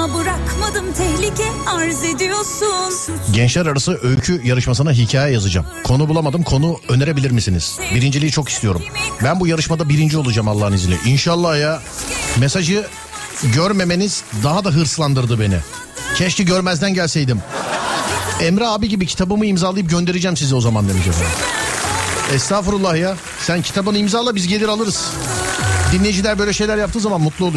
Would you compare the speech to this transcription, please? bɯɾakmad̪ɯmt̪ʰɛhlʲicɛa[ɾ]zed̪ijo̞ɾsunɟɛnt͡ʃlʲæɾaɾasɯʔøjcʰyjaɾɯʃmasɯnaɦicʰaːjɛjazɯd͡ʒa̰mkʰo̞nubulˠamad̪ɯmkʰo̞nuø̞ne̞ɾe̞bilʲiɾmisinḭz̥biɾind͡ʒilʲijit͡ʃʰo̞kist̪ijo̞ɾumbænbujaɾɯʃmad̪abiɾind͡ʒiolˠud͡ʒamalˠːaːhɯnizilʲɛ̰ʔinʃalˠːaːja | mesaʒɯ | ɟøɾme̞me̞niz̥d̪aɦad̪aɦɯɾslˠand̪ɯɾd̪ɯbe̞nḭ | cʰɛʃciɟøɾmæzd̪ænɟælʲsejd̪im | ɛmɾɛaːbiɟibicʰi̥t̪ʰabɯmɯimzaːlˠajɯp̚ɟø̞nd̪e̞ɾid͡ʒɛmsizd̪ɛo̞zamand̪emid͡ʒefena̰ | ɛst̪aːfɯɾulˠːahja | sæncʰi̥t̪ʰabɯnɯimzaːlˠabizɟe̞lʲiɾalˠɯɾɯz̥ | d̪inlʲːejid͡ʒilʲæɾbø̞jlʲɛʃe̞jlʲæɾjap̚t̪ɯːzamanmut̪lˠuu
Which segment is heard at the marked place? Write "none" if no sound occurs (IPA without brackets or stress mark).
ɾ